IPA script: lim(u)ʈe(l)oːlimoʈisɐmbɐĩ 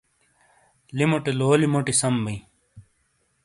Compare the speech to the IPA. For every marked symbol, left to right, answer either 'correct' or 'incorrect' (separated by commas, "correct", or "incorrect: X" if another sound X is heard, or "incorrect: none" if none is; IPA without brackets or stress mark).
incorrect: o, correct